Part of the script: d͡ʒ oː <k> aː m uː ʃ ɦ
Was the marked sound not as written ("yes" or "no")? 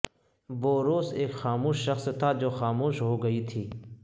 yes